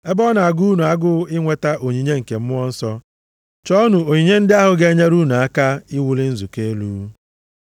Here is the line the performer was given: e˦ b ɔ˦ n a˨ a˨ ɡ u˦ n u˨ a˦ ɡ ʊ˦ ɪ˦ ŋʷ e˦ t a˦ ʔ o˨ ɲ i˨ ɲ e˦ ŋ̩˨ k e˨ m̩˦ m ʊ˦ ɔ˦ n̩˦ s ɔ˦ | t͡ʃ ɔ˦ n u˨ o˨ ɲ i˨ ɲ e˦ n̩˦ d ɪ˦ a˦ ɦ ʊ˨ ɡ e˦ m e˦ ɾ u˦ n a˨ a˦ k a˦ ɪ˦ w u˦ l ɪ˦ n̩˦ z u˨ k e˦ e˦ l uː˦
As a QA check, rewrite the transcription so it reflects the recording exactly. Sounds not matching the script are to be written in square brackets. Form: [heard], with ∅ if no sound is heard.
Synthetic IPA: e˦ b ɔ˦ n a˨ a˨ ɡ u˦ n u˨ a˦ ɡ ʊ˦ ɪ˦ ŋʷ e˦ t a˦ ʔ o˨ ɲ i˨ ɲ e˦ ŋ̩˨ k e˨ m̩˦ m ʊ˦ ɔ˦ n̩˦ s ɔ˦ | t͡ʃ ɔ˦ n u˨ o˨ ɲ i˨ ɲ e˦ n̩˦ d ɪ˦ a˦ ɦ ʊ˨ ɡ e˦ [ɲ] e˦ ɾ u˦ n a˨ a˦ k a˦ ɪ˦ w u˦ l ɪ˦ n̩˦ z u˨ k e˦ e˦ l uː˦